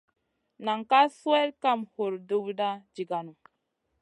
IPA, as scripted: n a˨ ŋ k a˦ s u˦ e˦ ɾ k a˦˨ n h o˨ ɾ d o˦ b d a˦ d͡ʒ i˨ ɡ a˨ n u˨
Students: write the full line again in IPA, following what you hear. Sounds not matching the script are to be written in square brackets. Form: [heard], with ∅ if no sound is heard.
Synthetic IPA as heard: n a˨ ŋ k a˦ s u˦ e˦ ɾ k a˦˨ [m] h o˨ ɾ d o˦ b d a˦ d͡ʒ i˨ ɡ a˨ n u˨